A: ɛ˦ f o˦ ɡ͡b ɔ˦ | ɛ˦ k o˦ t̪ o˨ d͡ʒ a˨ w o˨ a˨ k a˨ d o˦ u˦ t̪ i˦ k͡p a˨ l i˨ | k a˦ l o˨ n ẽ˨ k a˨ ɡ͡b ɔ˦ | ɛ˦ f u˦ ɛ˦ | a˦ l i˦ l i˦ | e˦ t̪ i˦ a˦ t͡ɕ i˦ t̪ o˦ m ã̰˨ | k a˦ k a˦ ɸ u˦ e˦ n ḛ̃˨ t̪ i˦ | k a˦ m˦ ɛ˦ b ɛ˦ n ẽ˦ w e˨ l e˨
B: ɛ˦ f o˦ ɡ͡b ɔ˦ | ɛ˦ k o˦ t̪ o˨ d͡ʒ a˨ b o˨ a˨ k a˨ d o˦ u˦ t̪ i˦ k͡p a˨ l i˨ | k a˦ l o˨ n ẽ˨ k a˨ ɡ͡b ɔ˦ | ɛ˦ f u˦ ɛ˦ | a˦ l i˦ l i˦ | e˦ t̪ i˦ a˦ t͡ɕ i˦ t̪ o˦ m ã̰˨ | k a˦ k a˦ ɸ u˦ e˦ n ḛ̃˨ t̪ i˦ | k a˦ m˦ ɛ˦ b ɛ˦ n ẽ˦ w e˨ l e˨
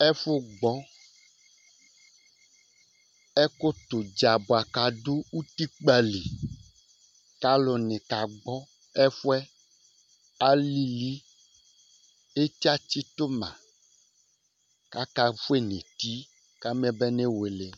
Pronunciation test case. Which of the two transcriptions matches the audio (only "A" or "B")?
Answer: B